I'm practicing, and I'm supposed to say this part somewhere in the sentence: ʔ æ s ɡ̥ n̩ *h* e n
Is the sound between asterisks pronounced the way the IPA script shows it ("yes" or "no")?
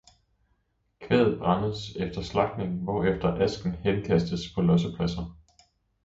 yes